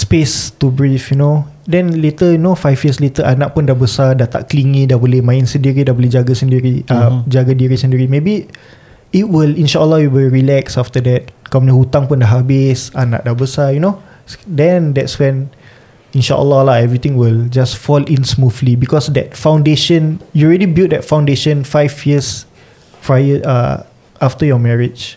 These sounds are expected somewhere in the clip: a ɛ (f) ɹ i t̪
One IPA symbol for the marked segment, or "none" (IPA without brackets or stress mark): v